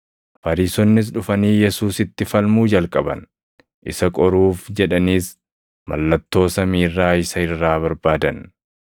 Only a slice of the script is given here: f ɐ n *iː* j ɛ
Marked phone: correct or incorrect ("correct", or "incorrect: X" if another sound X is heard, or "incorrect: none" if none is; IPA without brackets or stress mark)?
correct